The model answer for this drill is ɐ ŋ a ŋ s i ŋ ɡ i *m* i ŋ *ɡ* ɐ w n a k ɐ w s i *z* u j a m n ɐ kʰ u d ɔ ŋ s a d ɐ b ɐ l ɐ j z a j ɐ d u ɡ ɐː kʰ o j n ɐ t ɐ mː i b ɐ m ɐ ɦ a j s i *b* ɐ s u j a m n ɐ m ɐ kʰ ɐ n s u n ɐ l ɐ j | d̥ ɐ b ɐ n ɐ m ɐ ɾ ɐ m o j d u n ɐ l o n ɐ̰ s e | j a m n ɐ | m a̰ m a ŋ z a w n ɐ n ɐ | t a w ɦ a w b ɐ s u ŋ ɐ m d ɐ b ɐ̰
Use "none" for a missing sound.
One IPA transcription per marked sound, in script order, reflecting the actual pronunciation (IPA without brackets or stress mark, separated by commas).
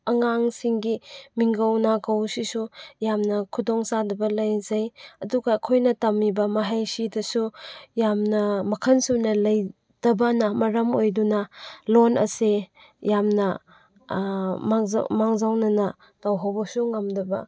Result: m, ɡ, s, d